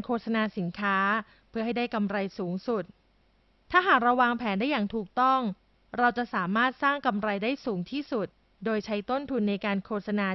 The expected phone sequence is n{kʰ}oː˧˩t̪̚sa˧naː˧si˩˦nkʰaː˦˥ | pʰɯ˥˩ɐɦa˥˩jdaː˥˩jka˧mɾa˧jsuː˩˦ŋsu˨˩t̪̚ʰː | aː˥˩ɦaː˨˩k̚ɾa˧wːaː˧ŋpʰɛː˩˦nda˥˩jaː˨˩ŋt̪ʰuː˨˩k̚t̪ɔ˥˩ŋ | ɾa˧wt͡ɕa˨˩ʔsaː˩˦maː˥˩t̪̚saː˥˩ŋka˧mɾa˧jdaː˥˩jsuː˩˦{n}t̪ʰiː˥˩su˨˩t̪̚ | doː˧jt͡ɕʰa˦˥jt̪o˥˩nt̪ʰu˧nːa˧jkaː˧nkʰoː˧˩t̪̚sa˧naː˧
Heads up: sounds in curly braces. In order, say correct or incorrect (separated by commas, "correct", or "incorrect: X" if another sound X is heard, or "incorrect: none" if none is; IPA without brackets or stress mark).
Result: correct, incorrect: ŋ